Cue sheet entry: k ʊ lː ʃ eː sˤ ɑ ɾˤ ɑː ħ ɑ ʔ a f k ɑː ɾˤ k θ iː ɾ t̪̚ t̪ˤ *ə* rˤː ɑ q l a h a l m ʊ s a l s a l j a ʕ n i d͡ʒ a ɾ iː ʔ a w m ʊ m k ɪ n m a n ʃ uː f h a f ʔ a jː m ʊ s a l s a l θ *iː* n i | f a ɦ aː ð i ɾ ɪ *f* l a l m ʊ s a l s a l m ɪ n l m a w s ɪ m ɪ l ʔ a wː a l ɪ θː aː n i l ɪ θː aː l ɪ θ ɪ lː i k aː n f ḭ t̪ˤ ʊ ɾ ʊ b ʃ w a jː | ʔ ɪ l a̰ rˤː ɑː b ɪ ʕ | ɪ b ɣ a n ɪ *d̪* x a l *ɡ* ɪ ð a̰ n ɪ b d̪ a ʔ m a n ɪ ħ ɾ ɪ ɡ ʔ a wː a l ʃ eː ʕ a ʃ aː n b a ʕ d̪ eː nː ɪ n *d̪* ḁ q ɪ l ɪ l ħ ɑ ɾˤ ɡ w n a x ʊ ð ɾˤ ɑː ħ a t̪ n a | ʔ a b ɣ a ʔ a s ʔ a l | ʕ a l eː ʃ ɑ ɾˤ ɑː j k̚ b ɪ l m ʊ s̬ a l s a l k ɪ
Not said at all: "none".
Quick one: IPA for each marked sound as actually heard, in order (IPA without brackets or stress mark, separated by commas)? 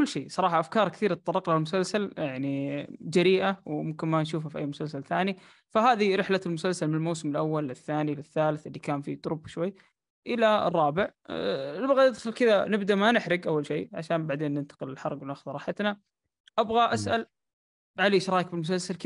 ɑ, aː, ħ, d̪, k, t̪